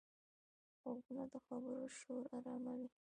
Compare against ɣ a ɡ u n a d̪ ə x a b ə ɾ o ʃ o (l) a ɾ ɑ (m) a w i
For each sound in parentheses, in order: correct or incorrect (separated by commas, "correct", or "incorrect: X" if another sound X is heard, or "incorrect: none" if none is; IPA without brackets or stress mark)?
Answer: incorrect: ɾ, correct